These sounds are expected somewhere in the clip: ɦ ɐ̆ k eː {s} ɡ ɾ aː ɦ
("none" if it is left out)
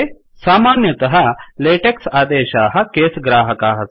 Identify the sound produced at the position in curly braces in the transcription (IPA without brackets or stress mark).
s